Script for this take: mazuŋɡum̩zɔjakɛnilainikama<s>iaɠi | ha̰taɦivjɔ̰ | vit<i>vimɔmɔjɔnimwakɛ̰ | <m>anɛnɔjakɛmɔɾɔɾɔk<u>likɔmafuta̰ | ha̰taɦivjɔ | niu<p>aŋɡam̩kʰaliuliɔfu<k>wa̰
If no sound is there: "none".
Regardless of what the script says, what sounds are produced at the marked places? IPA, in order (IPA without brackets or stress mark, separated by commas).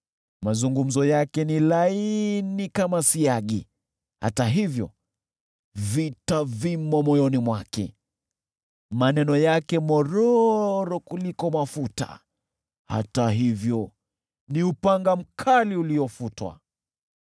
s, a, m, u, p, t